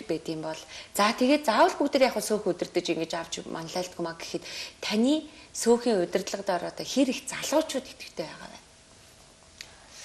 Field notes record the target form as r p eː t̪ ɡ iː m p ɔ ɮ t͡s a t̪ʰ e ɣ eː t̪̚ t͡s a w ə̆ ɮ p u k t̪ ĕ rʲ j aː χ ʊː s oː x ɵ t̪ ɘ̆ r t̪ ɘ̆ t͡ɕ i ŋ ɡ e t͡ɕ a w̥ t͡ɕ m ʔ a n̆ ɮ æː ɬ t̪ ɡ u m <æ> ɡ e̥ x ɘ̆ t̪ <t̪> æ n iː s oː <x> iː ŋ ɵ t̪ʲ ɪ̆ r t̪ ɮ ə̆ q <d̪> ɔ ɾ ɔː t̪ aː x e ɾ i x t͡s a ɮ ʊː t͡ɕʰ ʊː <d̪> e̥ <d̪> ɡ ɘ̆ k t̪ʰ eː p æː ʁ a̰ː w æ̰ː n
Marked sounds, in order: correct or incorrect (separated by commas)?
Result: incorrect, incorrect, correct, incorrect, incorrect, incorrect